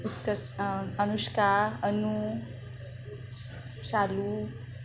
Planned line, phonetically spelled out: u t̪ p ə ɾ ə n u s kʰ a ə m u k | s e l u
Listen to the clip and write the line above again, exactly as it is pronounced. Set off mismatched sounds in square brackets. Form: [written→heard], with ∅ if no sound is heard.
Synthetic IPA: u t̪ [p→k] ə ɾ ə n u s [kʰ→k] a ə [m→n] u [k→∅] | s [e→a] l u